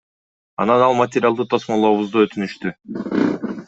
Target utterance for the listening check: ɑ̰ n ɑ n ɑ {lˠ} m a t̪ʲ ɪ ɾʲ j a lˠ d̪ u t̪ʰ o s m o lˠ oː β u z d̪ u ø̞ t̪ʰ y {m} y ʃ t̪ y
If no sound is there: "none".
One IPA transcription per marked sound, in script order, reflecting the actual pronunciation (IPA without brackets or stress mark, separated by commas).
lˠ, n